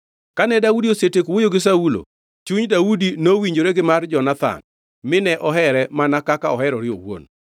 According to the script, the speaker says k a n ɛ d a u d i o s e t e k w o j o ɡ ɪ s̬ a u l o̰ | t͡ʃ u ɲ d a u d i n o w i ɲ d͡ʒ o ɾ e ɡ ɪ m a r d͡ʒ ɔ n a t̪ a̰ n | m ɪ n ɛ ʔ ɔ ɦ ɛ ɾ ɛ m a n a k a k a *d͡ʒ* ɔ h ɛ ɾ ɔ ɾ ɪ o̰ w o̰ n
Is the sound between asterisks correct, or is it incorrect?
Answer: incorrect